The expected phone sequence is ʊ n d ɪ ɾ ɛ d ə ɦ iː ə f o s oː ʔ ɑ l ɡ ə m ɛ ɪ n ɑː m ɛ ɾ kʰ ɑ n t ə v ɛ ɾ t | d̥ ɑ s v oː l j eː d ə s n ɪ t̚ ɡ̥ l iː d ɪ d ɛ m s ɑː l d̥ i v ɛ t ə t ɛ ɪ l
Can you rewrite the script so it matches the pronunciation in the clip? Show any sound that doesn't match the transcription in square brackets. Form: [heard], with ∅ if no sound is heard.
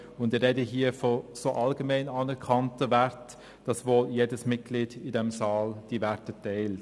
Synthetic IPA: ʊ n d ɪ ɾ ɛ d ə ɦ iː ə f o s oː ʔ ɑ l ɡ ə m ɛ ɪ n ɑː [n] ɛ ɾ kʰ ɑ n t ə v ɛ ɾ t | d̥ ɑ s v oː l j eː d ə s [m] ɪ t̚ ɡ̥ l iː d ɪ d ɛ m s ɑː l d̥ i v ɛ t ə t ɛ ɪ l

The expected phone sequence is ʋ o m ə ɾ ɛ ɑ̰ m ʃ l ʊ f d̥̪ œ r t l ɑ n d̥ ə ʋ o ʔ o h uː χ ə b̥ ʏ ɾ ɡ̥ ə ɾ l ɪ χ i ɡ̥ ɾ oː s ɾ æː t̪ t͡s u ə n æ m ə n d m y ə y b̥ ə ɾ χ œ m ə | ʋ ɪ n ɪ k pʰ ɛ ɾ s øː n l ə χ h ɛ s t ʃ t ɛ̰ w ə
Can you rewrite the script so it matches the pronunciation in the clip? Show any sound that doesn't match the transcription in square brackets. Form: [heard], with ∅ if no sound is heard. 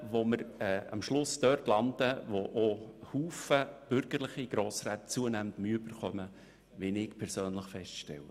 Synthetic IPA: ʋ o m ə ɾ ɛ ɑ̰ m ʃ l ʊ [s] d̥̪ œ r t l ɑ n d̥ ə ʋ o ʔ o h uː [f] ə b̥ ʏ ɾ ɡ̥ ə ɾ l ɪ χ i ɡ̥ ɾ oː s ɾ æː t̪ t͡s u ə n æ m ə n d m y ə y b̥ ə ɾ χ œ m ə | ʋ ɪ n ɪ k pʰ ɛ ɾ s øː n l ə χ [f] ɛ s t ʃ t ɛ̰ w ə

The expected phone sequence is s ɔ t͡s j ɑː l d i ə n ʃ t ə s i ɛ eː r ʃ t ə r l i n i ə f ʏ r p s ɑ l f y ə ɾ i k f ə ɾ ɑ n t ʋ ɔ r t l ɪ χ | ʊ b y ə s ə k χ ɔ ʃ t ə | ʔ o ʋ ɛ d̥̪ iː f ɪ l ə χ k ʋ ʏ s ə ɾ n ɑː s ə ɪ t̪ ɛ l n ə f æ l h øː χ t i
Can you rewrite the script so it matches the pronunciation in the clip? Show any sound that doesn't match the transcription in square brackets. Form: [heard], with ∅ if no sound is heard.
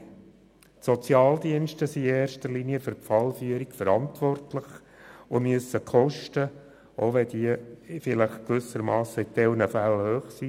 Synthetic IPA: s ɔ t͡s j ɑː l d i ə n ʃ t ə s i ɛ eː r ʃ t ə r l i n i ə f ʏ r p [f] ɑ l f y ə ɾ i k f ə ɾ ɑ n t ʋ ɔ r t l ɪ χ | ʊ [m] y ə s ə k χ ɔ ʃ t ə | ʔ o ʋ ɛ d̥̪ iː f ɪ l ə χ k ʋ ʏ s ə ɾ [m] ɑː s ə ɪ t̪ ɛ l n ə f æ l h øː χ [s] i

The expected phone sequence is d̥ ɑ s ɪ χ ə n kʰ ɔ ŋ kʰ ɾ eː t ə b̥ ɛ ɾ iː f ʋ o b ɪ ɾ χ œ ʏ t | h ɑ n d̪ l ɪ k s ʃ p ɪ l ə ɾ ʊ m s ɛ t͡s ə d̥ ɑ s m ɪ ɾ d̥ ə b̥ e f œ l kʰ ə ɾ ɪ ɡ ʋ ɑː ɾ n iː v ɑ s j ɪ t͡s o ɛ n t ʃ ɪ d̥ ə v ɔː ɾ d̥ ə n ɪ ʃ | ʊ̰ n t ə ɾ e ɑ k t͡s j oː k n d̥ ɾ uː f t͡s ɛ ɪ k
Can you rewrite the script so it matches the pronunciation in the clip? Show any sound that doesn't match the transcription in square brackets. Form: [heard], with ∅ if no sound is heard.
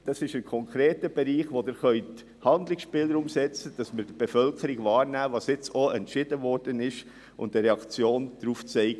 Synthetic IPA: d̥ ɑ s ɪ [ʃ] ə n kʰ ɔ ŋ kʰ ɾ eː t ə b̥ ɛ ɾ iː [χ] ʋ o [d] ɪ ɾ χ œ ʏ t | h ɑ n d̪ l ɪ k s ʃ p ɪ l ə ɾ ʊ m s ɛ t͡s ə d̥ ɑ s m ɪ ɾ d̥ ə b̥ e f œ l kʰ ə ɾ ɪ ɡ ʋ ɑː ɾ n [æː] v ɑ s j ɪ t͡s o ɛ n t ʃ ɪ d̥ ə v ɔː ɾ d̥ ə n ɪ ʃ | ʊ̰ n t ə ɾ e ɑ k t͡s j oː [∅] n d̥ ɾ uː f t͡s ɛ ɪ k

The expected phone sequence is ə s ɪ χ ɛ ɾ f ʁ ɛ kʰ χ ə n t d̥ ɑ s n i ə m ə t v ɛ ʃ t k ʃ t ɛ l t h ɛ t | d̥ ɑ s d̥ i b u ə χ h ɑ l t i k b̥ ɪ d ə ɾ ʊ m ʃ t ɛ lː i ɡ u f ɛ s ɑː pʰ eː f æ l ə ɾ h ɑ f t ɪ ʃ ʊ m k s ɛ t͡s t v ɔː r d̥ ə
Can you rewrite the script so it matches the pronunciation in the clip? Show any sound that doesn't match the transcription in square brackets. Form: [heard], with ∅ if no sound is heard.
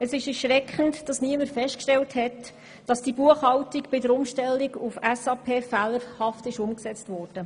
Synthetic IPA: ə s ɪ [ʃ] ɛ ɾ [ʃ] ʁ ɛ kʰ χ ə n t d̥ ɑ s n i ə m ə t [f] ɛ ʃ t k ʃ t ɛ l t h ɛ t | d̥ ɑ s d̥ i b u ə χ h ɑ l t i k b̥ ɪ d ə ɾ ʊ m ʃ t ɛ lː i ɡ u f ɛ s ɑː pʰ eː f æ l ə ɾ h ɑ f t ɪ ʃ ʊ m k s ɛ t͡s t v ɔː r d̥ ə

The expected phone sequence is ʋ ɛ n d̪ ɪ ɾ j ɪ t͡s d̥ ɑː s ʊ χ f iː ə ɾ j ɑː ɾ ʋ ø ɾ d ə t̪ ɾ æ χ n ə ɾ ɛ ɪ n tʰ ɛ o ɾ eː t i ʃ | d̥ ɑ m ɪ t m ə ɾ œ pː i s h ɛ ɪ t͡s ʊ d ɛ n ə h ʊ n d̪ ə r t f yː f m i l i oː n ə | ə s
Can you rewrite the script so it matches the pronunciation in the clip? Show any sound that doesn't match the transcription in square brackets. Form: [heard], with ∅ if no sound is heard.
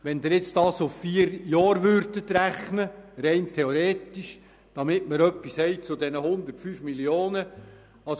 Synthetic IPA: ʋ ɛ n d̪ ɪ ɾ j ɪ t͡s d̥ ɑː s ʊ [f] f iː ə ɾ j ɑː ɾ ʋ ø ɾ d ə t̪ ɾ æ χ n ə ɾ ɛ ɪ n tʰ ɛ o ɾ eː t i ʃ | d̥ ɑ m ɪ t m ə ɾ œ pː i s h ɛ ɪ t͡s ʊ d ɛ n ə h ʊ n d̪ ə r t f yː f m i l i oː n ə | [ɑ] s

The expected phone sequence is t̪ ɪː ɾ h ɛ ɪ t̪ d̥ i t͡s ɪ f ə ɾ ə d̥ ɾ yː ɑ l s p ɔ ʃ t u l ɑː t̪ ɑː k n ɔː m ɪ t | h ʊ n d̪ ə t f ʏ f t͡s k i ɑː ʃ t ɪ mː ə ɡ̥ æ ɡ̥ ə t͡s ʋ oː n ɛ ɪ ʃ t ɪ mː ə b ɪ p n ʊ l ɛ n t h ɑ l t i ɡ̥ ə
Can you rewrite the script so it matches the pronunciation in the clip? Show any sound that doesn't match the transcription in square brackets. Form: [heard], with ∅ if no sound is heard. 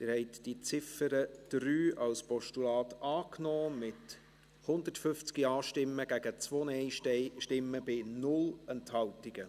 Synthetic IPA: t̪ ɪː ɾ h ɛ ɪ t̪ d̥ i t͡s ɪ f ə ɾ ə d̥ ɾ yː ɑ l s p ɔ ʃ t u l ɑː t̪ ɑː k n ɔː m ɪ t | h ʊ n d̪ ə t f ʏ f t͡s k i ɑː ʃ t ɪ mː ə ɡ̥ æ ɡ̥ ə t͡s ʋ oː n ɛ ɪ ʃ t ɪ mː ə b ɪ [∅] n ʊ l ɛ n t h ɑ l t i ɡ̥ ə

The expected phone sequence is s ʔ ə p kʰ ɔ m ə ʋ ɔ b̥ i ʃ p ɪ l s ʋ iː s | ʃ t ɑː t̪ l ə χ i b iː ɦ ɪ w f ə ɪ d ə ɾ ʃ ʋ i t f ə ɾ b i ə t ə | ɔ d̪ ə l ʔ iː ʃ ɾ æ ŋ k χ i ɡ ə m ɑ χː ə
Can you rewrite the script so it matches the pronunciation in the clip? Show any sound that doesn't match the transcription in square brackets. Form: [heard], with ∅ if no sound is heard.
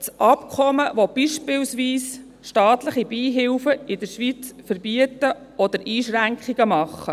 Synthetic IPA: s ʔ [ɑ] p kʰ ɔ m ə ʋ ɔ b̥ i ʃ p ɪ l s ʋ iː s | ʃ t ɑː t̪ l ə χ i b iː ɦ ɪ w f ə ɪ d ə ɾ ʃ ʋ i [t͡s] f ə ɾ b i ə t ə | ɔ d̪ ə [ɾ] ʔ iː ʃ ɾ æ ŋ k χ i ɡ ə m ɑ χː ə

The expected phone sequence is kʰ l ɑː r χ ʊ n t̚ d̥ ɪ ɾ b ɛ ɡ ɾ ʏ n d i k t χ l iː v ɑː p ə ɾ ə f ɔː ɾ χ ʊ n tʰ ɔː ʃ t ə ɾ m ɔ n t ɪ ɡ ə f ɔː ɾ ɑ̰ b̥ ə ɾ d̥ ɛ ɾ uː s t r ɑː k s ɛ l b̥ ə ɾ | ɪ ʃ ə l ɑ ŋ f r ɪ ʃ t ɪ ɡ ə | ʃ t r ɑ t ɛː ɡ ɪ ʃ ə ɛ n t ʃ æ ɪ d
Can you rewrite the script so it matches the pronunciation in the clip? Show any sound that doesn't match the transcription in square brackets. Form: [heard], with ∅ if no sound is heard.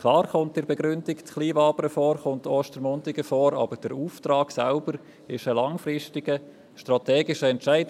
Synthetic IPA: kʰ l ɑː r χ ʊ n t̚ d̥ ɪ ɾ b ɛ ɡ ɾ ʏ n d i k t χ l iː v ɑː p ə ɾ ə f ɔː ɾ χ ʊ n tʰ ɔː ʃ t ə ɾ m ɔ n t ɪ ɡ ə f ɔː ɾ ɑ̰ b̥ ə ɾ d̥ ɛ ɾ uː [f] t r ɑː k s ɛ l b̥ ə ɾ | ɪ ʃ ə l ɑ ŋ f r ɪ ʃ t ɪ ɡ ə | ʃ t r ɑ t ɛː ɡ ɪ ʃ ə ɛ n t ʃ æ ɪ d

